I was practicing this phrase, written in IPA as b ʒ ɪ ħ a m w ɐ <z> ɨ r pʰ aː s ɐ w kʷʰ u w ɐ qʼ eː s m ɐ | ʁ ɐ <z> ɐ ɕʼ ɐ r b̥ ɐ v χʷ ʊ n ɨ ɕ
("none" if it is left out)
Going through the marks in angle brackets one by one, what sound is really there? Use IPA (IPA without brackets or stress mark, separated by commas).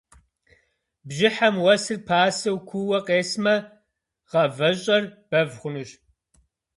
s, v